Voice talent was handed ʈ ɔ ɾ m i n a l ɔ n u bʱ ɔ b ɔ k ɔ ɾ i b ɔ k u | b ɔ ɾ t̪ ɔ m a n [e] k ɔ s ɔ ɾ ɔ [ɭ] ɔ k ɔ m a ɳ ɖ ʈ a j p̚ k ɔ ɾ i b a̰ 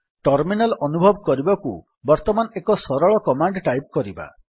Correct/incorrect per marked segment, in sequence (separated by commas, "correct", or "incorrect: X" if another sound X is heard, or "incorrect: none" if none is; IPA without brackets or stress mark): correct, correct